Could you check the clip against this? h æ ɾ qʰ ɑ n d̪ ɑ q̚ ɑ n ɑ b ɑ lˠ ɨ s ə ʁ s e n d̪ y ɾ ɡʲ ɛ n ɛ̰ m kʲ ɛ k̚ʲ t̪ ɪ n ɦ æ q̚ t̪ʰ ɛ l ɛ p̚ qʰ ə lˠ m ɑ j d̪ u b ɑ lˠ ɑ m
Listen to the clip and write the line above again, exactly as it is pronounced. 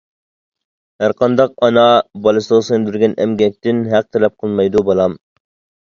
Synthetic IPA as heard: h æ ɾ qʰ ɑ n d̪ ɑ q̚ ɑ n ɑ b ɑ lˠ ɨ s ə ʁ s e n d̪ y ɾ ɡʲ ɛ n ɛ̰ m ɡʲ ɛ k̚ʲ t̪ ɪ n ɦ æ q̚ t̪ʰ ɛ l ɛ p̚ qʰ ə lˠ m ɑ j d̪ u b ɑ lˠ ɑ m